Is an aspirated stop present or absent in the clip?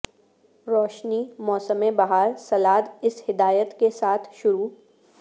present